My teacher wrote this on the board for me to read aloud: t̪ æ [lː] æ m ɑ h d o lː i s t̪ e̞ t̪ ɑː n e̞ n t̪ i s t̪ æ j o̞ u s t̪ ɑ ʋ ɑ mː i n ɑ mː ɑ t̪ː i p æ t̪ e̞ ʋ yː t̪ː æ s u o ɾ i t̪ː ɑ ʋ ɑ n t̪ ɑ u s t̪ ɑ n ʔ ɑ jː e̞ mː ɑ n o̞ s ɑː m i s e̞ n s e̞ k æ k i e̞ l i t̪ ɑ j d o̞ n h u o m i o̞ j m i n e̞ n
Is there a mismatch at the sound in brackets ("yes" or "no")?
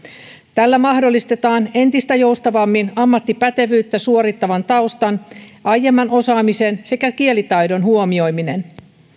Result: no